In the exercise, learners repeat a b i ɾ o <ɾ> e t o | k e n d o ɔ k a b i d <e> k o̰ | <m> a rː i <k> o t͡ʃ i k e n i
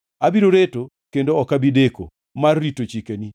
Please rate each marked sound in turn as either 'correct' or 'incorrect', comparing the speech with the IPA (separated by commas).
correct, correct, correct, incorrect